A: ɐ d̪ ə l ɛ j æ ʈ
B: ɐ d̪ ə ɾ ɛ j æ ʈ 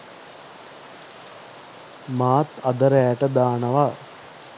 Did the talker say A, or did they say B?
B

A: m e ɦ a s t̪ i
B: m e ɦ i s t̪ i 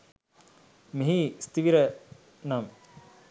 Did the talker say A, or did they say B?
B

